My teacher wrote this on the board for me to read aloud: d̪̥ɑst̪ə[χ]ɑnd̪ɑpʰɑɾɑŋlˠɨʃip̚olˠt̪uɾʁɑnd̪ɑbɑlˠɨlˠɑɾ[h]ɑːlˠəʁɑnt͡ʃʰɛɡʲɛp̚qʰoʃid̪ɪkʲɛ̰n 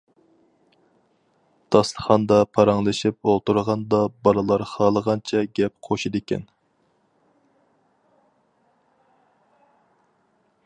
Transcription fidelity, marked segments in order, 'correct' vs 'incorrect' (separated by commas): correct, incorrect